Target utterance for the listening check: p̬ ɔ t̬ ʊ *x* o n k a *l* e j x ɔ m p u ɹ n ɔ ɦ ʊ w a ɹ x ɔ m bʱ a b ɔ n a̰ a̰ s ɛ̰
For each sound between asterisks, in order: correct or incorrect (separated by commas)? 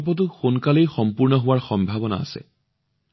correct, correct